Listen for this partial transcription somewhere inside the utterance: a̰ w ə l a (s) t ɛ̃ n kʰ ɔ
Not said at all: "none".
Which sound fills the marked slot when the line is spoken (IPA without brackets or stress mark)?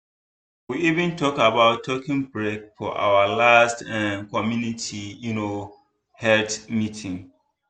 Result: s